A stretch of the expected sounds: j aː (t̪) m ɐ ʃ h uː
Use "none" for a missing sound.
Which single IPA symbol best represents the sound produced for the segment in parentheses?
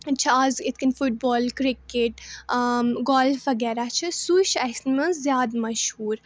d̪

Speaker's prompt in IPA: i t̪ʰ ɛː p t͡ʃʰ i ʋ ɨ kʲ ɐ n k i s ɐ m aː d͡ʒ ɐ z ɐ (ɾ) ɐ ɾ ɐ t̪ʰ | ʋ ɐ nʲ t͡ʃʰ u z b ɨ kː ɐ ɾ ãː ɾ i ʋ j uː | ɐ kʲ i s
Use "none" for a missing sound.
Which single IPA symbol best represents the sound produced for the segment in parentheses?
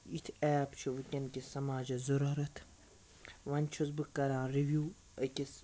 ɾ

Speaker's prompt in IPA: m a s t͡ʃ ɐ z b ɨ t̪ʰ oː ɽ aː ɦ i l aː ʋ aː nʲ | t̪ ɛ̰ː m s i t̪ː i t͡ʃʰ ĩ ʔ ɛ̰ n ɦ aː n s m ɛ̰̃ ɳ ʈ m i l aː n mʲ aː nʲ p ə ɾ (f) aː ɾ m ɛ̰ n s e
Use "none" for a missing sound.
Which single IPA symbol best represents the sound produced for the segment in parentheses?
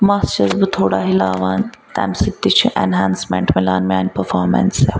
f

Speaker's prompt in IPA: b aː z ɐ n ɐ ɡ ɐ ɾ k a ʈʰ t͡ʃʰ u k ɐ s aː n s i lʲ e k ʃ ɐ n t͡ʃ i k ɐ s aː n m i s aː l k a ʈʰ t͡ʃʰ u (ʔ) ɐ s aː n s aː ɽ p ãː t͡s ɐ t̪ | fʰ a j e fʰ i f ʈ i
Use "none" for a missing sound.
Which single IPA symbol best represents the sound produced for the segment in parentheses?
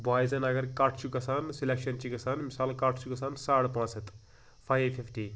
k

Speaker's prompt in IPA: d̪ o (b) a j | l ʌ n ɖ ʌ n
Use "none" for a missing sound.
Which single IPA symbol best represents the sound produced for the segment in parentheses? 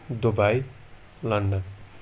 b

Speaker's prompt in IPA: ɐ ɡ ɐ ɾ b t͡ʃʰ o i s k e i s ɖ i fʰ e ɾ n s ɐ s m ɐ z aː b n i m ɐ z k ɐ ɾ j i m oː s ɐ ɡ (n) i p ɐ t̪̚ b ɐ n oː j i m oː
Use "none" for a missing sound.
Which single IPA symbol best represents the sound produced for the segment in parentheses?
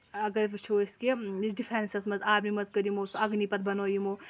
n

